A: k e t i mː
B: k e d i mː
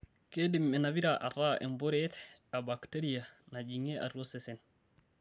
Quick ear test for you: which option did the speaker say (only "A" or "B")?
B